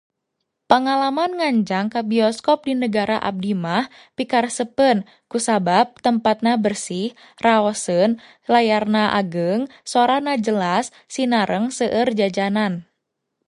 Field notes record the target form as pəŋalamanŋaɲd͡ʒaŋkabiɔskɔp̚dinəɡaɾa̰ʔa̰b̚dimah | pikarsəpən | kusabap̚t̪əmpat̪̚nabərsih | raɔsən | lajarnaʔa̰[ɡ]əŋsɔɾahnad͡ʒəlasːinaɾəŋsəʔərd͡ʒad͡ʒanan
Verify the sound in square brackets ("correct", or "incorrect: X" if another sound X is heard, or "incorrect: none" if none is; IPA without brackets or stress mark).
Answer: correct